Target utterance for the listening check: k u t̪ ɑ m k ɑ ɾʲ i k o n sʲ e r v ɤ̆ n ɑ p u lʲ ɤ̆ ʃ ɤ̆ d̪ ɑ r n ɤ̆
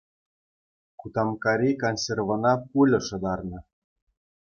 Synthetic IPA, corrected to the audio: k u t̪ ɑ m k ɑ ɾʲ i k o n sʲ e r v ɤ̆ n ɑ p u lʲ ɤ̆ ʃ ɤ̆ d̪ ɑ r n ɤ̆